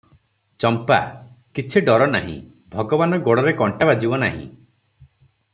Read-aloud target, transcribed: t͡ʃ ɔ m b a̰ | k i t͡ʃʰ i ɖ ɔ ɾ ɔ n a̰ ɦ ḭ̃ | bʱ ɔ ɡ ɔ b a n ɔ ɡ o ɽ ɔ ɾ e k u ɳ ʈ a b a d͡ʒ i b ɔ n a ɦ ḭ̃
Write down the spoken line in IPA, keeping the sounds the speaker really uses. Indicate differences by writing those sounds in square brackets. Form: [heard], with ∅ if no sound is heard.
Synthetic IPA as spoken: t͡ʃ ɔ m [p] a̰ | k i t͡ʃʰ i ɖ ɔ ɾ ɔ n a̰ ɦ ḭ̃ | bʱ ɔ ɡ ɔ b a n ɔ ɡ o ɽ ɔ ɾ e k [ɔ] ɳ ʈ a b a d͡ʒ i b ɔ n a ɦ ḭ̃